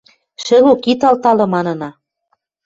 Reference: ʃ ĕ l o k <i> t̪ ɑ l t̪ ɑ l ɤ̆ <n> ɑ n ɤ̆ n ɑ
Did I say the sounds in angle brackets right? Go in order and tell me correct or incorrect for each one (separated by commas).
correct, incorrect